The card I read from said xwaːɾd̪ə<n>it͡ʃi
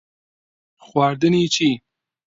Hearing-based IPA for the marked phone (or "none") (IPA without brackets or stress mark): n